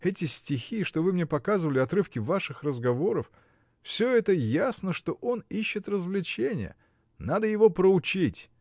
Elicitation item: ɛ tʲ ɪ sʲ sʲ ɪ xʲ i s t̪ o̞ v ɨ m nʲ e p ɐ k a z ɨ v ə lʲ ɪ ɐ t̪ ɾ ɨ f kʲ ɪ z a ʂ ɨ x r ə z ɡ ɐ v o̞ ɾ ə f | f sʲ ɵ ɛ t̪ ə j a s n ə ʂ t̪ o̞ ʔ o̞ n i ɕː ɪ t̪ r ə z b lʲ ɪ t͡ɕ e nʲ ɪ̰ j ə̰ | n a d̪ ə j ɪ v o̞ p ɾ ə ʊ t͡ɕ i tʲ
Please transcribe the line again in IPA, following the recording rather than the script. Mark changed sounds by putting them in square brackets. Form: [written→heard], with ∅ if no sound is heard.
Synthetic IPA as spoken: ɛ tʲ ɪ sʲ [sʲ→tʲ] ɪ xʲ i [s→ʂ] t̪ o̞ v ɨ m nʲ e p ɐ k a z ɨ v ə lʲ ɪ ɐ t̪ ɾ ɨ f kʲ ɪ [z→v] a ʂ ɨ x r ə z ɡ ɐ v o̞ ɾ ə f | f sʲ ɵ ɛ t̪ ə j a s n ə ʂ t̪ o̞ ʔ o̞ n i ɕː ɪ t̪ r ə z [b→v] lʲ ɪ t͡ɕ e nʲ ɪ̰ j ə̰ | n a d̪ ə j ɪ v o̞ p ɾ ə ʊ t͡ɕ i tʲ